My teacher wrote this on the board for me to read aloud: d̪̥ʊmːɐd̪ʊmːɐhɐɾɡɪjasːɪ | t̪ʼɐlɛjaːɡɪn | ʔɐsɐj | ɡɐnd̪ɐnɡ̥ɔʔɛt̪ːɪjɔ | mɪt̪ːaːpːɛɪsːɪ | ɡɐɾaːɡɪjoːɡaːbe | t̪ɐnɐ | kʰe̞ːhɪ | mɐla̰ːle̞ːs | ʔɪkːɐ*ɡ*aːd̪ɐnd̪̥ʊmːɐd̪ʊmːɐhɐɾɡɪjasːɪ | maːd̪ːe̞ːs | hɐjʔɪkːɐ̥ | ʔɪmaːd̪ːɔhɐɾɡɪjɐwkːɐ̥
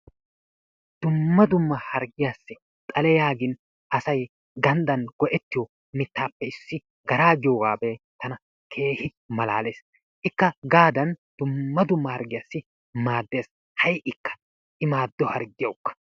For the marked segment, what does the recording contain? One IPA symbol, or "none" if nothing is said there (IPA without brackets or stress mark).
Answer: ɡ